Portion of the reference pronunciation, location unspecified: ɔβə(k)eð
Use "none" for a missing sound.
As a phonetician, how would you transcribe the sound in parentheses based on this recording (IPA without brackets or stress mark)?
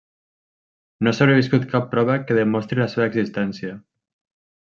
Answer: k